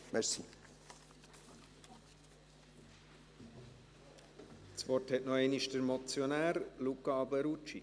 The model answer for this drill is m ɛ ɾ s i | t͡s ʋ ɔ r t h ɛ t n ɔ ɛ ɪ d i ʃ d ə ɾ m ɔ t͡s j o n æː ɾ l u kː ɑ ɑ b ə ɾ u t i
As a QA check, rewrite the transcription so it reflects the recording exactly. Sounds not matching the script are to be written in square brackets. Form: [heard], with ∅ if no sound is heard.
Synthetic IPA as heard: m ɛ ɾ s i | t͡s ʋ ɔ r t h ɛ t n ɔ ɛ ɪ [n] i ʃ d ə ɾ m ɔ t͡s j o n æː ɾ l u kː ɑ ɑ b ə ɾ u [t͡ʃ] i